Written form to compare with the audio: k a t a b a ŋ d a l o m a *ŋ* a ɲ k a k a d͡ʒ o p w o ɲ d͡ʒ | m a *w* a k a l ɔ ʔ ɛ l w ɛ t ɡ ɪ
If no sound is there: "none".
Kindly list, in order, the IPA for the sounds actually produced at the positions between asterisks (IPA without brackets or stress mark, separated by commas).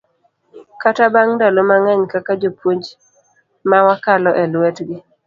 ŋ, w